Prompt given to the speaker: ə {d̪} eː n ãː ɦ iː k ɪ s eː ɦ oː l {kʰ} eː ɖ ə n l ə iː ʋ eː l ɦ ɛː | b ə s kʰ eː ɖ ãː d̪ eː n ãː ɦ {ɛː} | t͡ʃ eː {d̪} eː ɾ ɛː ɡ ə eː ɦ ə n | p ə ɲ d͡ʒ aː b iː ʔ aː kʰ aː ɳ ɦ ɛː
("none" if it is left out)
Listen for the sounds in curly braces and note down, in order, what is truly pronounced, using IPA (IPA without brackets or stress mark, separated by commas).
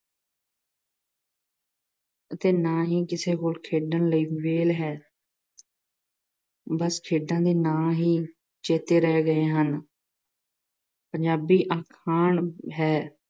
t̪, kʰ, iː, t̪